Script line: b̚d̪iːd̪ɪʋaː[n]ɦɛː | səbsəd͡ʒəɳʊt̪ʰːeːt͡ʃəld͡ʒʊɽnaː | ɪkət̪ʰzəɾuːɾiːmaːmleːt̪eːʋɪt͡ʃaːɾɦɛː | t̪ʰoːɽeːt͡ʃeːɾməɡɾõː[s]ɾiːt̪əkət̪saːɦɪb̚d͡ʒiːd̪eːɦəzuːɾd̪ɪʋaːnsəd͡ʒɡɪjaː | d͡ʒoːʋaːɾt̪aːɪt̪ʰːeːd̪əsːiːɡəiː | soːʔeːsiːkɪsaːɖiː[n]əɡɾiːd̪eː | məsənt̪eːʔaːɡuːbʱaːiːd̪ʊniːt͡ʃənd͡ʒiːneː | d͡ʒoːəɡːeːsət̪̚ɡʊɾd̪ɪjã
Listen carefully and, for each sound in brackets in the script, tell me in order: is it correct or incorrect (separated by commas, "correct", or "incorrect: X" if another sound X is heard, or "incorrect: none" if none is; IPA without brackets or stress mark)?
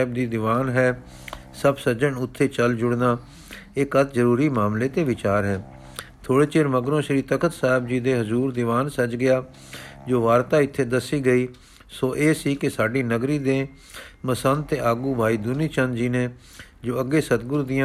correct, incorrect: ʃ, correct